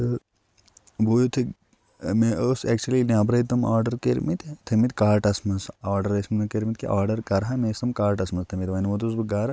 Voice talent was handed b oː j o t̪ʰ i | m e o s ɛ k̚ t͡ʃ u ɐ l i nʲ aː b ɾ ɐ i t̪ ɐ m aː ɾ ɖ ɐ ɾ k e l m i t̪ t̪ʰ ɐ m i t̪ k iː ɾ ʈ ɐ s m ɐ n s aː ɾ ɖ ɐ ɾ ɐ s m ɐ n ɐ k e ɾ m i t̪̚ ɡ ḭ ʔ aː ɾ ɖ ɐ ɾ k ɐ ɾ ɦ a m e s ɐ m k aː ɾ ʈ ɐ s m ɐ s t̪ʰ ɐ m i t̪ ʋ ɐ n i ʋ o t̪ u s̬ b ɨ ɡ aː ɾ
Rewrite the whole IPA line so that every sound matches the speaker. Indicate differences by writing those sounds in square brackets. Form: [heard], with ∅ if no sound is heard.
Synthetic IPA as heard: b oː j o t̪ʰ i | m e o s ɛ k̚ t͡ʃ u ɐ l i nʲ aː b ɾ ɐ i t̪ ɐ m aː ɾ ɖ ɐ ɾ k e [ɾ] m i t̪ t̪ʰ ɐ m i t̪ k [aː] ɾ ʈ ɐ s m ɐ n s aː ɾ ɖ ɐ ɾ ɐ s m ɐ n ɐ k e ɾ m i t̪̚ [k] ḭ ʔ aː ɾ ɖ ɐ ɾ k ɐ ɾ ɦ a m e s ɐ m k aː ɾ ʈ ɐ s m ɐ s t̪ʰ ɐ m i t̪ ʋ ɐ n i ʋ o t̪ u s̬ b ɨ ɡ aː ɾ